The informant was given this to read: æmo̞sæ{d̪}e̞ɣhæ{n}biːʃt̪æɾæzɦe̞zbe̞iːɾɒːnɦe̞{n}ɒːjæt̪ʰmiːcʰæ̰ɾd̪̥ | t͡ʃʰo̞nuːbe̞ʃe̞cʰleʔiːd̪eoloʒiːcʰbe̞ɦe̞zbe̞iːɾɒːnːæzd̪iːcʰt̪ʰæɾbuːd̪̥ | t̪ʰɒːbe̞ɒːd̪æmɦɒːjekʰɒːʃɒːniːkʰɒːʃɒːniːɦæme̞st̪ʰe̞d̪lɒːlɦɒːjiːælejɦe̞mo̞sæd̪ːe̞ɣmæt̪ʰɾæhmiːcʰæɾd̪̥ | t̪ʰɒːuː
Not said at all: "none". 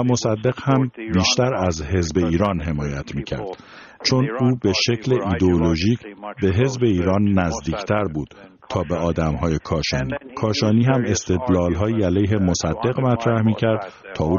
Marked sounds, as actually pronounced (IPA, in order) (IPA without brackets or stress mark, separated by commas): d̪ː, m, m